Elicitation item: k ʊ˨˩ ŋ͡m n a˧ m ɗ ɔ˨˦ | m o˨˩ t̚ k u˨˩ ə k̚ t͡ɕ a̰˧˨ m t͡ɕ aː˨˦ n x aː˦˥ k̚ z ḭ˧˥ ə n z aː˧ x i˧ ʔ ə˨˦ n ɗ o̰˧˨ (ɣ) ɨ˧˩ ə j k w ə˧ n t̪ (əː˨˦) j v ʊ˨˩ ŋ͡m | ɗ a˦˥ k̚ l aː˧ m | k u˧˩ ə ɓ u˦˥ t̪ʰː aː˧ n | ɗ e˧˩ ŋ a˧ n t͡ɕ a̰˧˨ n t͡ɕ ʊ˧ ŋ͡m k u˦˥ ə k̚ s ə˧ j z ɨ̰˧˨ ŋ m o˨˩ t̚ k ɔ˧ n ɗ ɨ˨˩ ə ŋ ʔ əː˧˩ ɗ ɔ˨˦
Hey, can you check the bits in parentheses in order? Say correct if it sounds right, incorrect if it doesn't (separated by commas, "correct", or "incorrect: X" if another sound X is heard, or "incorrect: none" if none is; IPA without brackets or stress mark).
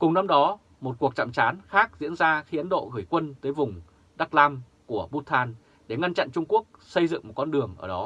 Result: correct, correct